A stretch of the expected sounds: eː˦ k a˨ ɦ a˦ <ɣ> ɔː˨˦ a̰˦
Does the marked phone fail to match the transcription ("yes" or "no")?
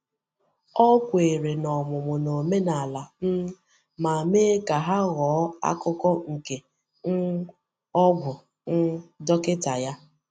no